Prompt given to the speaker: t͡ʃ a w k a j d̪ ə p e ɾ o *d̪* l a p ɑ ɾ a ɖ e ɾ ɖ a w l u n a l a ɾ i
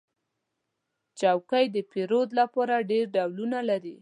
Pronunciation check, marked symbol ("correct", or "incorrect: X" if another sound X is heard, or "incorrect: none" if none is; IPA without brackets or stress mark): correct